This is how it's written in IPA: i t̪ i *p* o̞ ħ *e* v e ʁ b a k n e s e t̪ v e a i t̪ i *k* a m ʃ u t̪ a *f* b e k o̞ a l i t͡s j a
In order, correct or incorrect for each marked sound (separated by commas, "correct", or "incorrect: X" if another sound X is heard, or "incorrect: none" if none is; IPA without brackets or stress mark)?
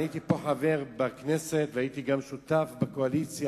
correct, incorrect: a, incorrect: ɡ, correct